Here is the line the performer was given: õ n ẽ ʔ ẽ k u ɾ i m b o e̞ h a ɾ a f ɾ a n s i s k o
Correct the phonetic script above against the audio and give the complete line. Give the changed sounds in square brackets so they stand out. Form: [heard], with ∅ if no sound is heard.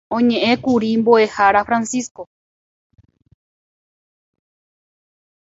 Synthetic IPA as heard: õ [ɲ] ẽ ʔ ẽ k u ɾ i m b o e̞ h a ɾ a f ɾ a n s i s k o